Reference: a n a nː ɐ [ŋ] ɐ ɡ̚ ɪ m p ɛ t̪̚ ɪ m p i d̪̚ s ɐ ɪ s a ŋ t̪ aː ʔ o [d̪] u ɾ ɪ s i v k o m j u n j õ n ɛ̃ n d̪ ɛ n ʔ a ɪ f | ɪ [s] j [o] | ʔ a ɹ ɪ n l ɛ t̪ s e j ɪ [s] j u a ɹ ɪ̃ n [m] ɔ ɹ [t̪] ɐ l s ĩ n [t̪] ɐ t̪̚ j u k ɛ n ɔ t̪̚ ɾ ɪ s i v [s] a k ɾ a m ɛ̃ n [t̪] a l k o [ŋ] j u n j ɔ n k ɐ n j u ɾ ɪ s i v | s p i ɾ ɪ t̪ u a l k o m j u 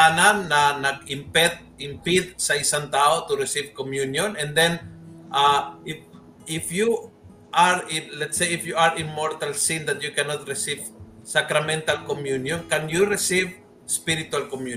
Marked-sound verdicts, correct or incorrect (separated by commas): incorrect, incorrect, incorrect, incorrect, incorrect, correct, correct, incorrect, correct, correct, incorrect